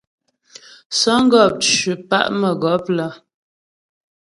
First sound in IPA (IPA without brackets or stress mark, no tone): s